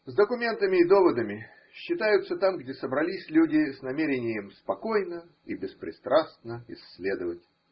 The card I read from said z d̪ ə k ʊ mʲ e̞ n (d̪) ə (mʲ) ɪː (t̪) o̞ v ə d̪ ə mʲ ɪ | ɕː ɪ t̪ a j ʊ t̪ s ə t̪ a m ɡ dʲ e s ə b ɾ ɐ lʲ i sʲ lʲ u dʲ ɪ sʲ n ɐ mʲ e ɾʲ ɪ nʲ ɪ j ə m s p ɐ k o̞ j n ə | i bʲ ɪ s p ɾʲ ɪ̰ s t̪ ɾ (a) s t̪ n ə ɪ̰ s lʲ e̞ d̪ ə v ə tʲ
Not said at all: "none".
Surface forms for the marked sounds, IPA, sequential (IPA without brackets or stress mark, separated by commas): t̪, mʲ, d̪, a